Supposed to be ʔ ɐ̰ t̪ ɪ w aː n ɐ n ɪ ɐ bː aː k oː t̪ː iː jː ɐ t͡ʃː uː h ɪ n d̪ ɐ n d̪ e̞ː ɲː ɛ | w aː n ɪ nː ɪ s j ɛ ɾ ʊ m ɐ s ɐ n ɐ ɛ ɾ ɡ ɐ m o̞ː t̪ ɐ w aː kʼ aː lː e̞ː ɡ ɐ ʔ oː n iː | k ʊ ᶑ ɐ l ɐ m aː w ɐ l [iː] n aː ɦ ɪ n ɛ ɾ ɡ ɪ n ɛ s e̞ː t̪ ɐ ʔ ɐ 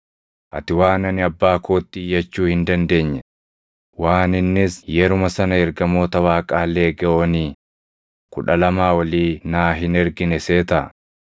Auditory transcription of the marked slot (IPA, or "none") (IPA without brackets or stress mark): iː